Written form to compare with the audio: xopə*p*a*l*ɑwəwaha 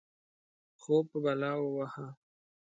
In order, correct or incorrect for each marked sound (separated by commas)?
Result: incorrect, correct